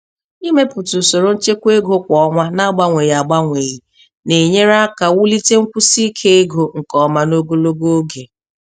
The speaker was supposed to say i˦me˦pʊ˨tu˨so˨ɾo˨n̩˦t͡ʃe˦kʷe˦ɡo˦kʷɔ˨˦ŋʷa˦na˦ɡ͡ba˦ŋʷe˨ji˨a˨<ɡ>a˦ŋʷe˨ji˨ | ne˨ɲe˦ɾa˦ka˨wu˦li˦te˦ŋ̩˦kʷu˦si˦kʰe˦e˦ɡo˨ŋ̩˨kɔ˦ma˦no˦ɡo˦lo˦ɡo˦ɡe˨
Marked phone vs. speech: incorrect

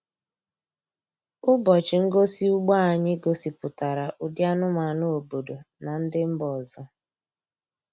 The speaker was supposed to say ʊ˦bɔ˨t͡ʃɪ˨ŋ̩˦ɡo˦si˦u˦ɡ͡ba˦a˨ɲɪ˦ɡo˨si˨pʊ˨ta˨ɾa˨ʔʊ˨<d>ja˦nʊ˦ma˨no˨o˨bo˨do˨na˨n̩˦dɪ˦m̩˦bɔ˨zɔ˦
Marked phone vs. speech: correct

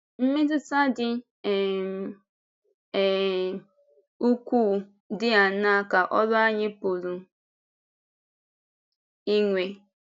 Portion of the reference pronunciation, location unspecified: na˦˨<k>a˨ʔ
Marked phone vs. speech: correct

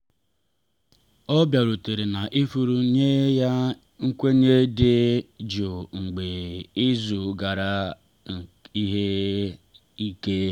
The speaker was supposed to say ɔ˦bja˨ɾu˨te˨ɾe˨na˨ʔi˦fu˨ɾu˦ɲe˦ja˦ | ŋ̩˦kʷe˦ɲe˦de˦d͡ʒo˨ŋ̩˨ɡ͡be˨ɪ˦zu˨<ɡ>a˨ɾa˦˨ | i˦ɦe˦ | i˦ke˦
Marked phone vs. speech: correct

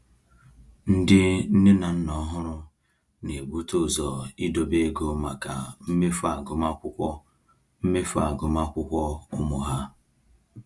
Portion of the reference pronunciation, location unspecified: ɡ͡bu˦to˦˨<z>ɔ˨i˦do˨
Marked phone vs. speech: correct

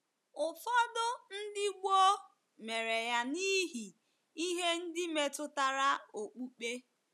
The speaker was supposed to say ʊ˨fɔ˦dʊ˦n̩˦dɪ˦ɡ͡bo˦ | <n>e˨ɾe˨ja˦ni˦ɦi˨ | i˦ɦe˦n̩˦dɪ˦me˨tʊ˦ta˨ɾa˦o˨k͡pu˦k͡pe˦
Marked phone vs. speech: incorrect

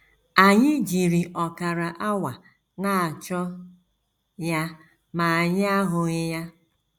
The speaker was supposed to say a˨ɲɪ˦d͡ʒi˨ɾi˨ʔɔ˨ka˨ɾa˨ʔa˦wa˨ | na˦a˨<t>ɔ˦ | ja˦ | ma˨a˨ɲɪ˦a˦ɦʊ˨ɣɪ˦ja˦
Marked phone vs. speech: incorrect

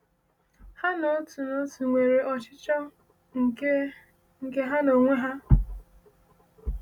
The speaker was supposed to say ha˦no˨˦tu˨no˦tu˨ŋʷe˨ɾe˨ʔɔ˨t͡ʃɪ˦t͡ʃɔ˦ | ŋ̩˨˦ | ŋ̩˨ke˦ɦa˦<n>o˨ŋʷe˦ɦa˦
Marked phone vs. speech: correct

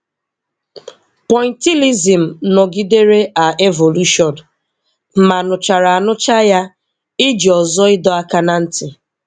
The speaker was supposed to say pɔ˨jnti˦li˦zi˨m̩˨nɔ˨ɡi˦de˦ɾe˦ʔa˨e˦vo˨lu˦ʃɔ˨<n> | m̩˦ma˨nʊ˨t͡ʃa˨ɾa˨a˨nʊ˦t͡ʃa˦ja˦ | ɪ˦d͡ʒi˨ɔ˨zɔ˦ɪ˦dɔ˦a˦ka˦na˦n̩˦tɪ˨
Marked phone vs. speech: correct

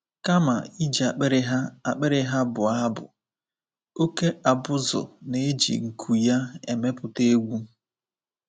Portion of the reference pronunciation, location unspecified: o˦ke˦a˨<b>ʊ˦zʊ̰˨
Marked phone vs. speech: correct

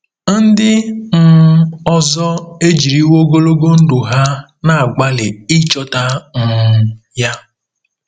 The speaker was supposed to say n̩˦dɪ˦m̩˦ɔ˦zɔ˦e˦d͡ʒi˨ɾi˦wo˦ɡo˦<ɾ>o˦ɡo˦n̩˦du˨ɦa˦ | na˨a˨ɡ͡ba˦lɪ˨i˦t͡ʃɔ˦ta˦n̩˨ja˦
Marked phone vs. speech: incorrect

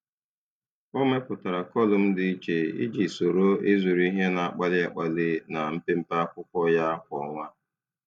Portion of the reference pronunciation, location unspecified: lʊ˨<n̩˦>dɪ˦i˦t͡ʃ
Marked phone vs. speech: incorrect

